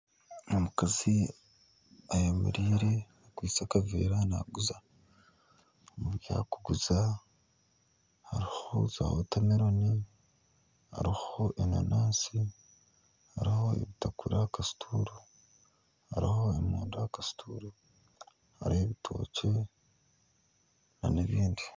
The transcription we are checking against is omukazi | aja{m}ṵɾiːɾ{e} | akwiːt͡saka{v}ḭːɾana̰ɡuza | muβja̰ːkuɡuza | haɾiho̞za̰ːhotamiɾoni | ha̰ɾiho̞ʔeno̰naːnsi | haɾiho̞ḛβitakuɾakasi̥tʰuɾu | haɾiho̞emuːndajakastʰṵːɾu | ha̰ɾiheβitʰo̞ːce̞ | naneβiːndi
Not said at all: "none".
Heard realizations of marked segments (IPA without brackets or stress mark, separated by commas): m, e, v